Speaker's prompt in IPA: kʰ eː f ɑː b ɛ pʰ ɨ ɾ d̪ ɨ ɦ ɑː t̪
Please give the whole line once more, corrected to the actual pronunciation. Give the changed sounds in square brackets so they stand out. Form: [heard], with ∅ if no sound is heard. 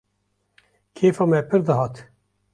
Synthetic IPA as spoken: kʰ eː f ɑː [m] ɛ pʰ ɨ ɾ d̪ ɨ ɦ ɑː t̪